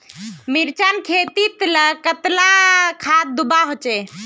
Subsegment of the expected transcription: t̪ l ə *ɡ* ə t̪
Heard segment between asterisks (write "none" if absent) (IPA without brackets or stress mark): k